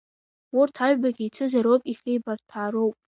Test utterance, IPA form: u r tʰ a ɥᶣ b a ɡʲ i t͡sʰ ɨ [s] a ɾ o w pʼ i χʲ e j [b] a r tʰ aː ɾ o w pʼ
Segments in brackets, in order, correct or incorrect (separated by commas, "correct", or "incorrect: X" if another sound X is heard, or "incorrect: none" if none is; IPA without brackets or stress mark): incorrect: z, correct